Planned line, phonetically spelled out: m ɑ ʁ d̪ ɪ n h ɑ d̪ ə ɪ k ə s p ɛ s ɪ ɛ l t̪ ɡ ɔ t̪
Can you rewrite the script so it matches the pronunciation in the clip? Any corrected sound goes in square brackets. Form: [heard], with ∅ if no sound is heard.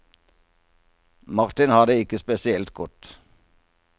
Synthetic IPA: m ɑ ʁ [t̪] ɪ n h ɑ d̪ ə ɪ k ə s p ɛ s ɪ ɛ l t̪ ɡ ɔ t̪